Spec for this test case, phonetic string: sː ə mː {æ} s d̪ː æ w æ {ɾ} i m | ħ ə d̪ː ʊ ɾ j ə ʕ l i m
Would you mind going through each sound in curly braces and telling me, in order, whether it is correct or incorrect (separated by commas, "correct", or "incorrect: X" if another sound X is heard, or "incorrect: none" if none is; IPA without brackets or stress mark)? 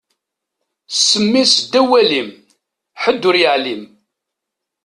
incorrect: i, incorrect: l